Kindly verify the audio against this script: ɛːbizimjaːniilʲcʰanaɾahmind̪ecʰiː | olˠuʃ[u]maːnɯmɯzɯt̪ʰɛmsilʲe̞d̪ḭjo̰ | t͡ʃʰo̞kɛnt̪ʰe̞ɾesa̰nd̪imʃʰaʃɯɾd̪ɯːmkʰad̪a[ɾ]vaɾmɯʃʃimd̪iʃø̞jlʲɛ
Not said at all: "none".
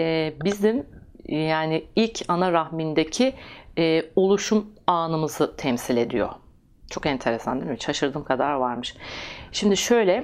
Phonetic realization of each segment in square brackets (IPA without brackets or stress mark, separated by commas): u, ɾ